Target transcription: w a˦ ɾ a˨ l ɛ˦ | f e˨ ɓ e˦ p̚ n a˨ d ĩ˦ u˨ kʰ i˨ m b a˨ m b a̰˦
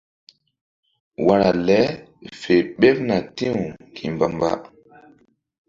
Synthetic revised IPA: w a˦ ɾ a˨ l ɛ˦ | f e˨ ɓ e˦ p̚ n a˨ t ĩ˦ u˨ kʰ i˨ m b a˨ m b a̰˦